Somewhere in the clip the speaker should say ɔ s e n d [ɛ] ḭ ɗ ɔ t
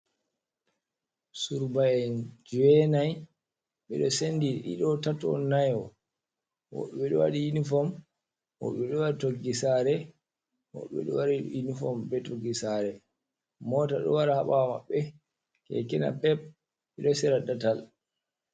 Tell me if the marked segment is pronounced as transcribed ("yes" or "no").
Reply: no